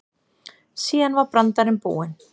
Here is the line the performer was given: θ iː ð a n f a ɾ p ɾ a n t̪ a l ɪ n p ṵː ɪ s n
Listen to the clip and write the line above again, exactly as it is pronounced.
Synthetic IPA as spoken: s iː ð a n v a ɾ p ɾ a n t̪ a ɾ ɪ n p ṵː ɪ n